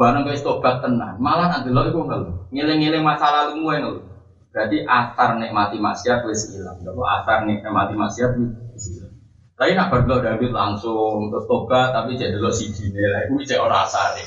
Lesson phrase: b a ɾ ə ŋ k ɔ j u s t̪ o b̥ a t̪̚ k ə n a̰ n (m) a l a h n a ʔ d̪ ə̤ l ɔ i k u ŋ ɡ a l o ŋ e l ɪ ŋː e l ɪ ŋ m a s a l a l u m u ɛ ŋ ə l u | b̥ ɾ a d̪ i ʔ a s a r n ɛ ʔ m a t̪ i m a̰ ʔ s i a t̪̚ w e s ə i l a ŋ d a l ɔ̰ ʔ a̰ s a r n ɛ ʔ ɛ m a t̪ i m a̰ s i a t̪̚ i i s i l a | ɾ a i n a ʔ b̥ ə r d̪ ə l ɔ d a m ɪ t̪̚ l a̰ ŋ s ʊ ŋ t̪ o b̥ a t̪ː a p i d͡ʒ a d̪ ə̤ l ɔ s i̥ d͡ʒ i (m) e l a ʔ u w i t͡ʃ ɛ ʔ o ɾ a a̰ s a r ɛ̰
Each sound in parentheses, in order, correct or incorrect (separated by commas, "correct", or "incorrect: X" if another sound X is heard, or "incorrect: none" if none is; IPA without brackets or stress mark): correct, incorrect: n